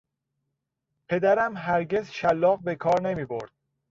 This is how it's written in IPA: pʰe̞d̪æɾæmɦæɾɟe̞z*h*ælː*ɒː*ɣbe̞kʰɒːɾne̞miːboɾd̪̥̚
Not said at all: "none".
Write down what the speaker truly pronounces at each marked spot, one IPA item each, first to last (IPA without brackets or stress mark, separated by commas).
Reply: ʃ, ɒː